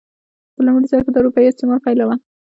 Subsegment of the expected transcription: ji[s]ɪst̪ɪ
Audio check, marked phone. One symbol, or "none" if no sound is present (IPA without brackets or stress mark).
none